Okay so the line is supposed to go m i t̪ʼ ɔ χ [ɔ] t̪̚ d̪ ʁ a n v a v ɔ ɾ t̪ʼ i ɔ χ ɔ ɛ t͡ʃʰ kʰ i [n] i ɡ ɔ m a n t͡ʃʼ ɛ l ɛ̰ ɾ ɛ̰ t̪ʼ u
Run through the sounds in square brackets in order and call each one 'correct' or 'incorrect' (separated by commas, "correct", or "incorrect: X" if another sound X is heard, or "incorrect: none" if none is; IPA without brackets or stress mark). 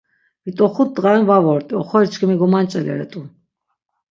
incorrect: u, incorrect: m